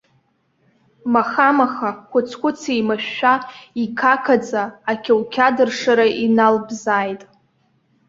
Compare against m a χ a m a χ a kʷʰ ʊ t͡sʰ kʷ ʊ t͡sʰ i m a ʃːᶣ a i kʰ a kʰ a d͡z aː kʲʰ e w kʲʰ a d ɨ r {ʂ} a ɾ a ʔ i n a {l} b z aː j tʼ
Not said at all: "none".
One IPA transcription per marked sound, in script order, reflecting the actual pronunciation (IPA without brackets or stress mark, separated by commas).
ʂ, l